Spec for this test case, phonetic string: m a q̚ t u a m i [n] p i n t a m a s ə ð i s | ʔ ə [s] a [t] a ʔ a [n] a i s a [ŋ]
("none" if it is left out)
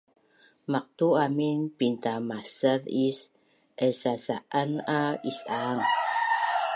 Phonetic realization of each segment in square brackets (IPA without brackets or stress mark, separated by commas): n, s, s, n, ŋ